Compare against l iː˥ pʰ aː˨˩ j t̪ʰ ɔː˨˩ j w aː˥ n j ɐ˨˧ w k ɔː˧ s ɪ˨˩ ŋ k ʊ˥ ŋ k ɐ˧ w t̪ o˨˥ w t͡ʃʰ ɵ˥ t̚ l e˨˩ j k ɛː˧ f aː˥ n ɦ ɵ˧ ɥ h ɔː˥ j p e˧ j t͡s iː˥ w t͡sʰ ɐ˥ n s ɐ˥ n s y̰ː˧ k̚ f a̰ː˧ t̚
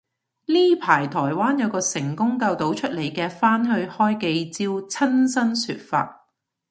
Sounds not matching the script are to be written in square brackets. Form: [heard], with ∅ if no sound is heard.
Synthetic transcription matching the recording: l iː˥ pʰ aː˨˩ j t̪ʰ ɔː˨˩ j w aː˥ n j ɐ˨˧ w k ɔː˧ s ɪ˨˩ ŋ k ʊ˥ ŋ k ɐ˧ w t̪ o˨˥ w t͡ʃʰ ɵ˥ t̚ l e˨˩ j k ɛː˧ f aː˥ n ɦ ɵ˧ ɥ h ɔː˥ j [k] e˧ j t͡s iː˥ w t͡sʰ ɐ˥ n s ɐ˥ n s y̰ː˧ [t̚] f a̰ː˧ t̚